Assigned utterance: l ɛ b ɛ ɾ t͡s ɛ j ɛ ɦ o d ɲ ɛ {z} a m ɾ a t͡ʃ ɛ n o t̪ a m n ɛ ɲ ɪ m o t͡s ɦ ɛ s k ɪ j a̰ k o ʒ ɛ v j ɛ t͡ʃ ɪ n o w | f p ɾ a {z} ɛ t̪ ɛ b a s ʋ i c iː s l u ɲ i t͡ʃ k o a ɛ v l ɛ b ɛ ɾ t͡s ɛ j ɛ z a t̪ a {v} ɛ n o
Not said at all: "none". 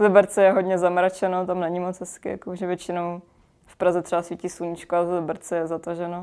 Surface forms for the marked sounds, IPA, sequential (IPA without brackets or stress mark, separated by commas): z, z, ʒ